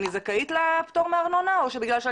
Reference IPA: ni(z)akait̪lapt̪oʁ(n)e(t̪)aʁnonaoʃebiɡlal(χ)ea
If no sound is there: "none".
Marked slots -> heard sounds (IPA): z, m, none, ʃ

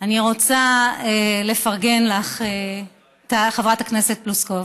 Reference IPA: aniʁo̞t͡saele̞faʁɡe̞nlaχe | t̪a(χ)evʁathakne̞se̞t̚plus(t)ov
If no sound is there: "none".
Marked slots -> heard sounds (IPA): χ, k

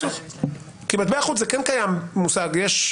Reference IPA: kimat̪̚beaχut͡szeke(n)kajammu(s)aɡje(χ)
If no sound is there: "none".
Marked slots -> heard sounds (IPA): n, s, ʃ

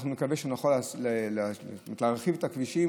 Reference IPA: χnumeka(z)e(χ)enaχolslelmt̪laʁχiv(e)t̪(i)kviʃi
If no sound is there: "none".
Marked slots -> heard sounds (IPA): v, ʃ, e, a

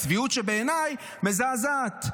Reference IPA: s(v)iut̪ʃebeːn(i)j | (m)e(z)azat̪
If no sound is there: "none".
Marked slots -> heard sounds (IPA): v, a, m, z

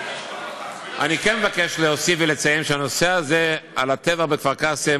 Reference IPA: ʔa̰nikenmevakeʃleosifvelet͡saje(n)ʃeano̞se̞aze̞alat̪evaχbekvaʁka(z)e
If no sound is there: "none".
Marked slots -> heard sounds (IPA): m, s

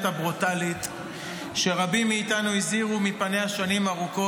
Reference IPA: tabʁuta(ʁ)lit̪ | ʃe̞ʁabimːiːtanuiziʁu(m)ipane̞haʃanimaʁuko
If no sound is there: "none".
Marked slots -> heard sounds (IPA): none, m

